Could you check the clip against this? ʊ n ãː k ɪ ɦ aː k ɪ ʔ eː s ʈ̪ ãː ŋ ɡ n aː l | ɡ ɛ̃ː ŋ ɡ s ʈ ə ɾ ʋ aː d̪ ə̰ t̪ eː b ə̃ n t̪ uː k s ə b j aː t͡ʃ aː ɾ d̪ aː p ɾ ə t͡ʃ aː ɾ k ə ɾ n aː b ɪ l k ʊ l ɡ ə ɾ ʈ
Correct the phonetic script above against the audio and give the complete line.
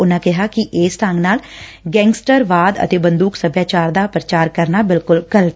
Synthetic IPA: ʊ n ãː k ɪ ɦ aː k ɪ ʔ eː s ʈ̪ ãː ŋ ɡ n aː l | ɡ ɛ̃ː ŋ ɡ s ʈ ə ɾ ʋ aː d̪ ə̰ t̪ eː b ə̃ n d̪ uː k s ə b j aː t͡ʃ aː ɾ d̪ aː p ɾ ə t͡ʃ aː ɾ k ə ɾ n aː b ɪ l k ʊ l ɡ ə l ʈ